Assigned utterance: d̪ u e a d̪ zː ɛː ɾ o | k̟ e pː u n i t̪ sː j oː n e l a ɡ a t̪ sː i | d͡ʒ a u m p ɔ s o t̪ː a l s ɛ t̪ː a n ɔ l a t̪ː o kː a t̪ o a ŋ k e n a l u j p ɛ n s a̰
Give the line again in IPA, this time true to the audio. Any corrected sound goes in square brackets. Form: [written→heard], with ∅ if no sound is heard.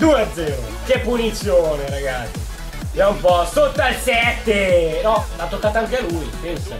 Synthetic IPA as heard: d̪ u e a d̪ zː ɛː ɾ o | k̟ e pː u n i t̪ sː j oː n e [l→ɾ] a ɡ a t̪ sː i | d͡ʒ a u m p ɔ s o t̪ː a l s ɛ t̪ː [a→e] n ɔ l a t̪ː o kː a t̪ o a ŋ k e [n→∅] a l u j p ɛ n s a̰